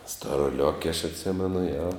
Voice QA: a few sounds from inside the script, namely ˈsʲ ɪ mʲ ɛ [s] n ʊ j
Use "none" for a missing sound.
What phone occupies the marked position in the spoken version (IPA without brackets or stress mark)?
none